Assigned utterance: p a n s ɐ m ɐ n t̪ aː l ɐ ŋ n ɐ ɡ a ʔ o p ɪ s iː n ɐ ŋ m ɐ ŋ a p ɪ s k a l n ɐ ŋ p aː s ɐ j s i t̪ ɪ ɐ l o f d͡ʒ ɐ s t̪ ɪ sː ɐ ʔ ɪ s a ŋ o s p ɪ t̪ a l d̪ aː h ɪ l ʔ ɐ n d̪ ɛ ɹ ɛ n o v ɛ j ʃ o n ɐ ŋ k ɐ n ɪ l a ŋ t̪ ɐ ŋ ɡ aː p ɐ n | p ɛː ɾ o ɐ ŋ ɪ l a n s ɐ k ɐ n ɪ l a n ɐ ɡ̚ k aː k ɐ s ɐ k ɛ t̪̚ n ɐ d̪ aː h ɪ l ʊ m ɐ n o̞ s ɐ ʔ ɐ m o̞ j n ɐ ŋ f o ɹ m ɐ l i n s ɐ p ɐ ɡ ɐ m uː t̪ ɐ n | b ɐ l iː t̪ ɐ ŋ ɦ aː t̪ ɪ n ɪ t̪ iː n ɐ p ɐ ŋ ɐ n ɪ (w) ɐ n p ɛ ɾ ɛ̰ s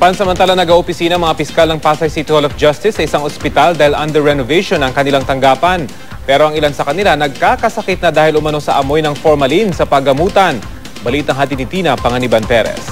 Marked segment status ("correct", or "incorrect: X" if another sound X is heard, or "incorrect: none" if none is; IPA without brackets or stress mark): incorrect: b